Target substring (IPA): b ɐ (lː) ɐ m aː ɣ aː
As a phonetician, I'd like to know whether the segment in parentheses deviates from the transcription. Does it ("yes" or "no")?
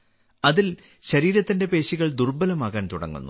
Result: yes